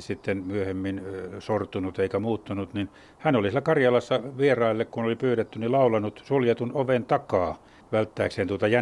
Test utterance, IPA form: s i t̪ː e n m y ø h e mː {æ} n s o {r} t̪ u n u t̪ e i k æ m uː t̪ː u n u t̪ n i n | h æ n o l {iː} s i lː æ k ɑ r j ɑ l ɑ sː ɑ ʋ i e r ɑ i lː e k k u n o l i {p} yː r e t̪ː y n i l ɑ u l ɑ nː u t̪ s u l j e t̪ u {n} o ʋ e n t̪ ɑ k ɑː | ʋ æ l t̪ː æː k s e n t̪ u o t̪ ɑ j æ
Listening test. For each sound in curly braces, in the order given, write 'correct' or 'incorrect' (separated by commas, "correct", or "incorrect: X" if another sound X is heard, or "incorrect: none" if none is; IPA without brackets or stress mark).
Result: incorrect: i, correct, incorrect: i, correct, correct